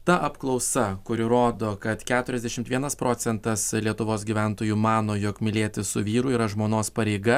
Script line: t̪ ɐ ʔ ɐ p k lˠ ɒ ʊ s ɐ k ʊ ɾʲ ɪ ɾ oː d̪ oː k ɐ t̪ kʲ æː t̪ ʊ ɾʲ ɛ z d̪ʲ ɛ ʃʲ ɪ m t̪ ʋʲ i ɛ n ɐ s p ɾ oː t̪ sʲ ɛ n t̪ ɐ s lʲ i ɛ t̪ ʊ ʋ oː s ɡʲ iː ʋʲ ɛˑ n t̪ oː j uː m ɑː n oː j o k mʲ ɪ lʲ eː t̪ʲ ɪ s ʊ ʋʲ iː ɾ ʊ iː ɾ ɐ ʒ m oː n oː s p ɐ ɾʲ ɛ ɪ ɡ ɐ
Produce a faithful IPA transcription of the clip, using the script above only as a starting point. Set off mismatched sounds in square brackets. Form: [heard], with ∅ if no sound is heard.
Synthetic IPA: t̪ ɐ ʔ ɐ p k lˠ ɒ ʊ s ɐ k ʊ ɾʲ ɪ ɾ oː d̪ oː k ɐ t̪ kʲ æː t̪ ʊ ɾʲ ɛ z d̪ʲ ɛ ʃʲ ɪ m t̪ ʋʲ i ɛ n ɐ s p ɾ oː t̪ sʲ ɛ n t̪ ɐ s lʲ i ɛ t̪ ʊ ʋ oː s ɡʲ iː ʋʲ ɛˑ n t̪ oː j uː m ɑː n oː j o k mʲ ɪ lʲ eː t̪ʲ ɪ s ʊ ʋʲ iː ɾ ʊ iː ɾ ɐ ʒ m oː n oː s p ɐ ɾʲ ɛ ɪ ɡ ɐ

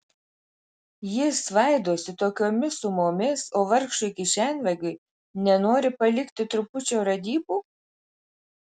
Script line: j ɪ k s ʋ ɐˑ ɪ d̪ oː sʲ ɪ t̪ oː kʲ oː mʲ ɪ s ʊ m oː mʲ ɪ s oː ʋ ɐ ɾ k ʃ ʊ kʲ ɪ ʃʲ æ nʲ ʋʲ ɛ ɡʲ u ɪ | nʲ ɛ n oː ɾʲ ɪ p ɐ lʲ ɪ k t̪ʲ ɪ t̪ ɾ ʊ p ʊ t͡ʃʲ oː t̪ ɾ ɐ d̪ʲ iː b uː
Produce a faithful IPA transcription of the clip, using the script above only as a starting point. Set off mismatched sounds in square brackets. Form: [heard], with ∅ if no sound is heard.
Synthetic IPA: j ɪ [∅] s ʋ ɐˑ ɪ d̪ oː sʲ ɪ t̪ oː kʲ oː mʲ ɪ s ʊ m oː mʲ ɪ s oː ʋ ɐ ɾ k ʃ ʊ kʲ ɪ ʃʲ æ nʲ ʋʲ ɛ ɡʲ [ʊ] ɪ | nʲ ɛ n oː ɾʲ ɪ p ɐ lʲ ɪ k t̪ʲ ɪ t̪ ɾ ʊ p ʊ t͡ʃʲ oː [∅] ɾ ɐ d̪ʲ iː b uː

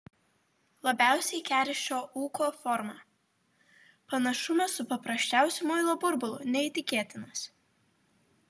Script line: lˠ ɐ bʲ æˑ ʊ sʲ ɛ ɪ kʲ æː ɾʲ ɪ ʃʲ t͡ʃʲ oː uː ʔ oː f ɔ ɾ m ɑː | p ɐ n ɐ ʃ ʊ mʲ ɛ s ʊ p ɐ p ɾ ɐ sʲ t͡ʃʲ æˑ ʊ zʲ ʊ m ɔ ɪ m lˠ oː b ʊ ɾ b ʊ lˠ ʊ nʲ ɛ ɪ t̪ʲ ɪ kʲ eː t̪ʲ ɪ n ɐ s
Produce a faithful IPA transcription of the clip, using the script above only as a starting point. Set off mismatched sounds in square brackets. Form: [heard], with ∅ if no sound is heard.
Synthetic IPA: lˠ ɐ bʲ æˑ ʊ sʲ ɛ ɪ kʲ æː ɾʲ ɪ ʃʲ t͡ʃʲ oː uː [k] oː f ɔ ɾ m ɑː | p ɐ n ɐ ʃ ʊ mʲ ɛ s ʊ p ɐ p ɾ ɐ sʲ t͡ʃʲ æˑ ʊ [sʲ] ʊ m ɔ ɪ [∅] lˠ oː b ʊ ɾ b ʊ lˠ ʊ nʲ ɛ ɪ t̪ʲ ɪ kʲ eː t̪ʲ ɪ n ɐ s

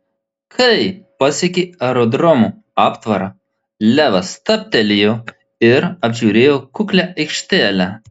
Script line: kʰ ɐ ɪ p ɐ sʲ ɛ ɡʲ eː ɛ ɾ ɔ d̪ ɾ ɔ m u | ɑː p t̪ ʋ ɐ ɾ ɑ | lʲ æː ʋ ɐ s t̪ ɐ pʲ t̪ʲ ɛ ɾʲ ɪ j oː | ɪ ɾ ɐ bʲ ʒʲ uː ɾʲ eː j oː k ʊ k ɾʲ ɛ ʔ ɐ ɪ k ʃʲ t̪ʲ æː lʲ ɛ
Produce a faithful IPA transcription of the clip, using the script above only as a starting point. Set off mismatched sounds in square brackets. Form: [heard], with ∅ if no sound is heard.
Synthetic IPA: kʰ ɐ ɪ p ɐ sʲ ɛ [kʲ] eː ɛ ɾ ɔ d̪ ɾ ɔ m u | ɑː p t̪ ʋ ɐ ɾ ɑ | lʲ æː ʋ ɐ s t̪ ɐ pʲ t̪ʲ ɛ [lʲ] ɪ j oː | ɪ ɾ ɐ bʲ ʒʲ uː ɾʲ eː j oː k ʊ k [lʲ] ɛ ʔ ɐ ɪ k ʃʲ t̪ʲ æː lʲ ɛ

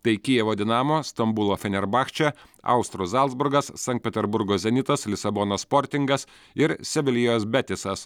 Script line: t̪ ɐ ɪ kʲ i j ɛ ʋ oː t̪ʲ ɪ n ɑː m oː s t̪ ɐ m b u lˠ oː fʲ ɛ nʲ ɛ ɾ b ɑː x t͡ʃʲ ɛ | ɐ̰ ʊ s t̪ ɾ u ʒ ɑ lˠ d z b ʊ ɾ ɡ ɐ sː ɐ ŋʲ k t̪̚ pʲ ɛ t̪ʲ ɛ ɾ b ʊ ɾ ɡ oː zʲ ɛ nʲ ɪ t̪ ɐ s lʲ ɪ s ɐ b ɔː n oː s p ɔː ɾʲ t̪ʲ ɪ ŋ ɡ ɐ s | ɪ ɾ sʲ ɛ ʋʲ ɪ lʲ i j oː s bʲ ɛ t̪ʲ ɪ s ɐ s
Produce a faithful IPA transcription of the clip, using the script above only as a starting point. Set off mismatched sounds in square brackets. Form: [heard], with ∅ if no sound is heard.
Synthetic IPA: t̪ ɐ ɪ kʲ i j ɛ ʋ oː [d̪ʲ] ɪ n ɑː m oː s t̪ ɐ m b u lˠ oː fʲ ɛ nʲ ɛ ɾ b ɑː x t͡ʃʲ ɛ | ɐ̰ ʊ s t̪ ɾ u [z] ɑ lˠ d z b ʊ ɾ ɡ ɐ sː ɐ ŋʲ k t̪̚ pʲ ɛ t̪ʲ ɛ ɾ b ʊ ɾ ɡ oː zʲ ɛ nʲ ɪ t̪ ɐ s lʲ ɪ s ɐ b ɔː n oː s p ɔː ɾʲ t̪ʲ ɪ ŋ ɡ ɐ s | ɪ ɾ sʲ ɛ ʋʲ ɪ lʲ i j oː s bʲ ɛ t̪ʲ ɪ s ɐ s

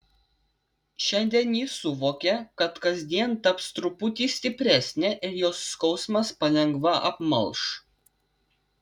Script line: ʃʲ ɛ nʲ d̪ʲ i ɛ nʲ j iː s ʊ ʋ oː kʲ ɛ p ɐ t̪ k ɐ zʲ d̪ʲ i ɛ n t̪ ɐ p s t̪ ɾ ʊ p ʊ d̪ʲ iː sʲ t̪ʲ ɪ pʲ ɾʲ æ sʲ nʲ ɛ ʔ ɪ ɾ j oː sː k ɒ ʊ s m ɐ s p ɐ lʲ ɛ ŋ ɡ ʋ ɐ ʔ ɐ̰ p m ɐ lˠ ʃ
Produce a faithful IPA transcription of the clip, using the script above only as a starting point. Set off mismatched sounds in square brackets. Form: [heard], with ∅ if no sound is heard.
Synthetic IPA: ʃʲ ɛ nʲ d̪ʲ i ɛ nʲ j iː s ʊ ʋ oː kʲ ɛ [k] ɐ t̪ k ɐ zʲ d̪ʲ i ɛ n t̪ ɐ p s t̪ ɾ ʊ p ʊ [t̪ʲ] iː sʲ t̪ʲ ɪ pʲ ɾʲ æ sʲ nʲ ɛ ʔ ɪ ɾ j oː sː k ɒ ʊ s m ɐ s p ɐ lʲ ɛ ŋ ɡ ʋ ɐ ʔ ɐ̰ p m ɐ lˠ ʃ

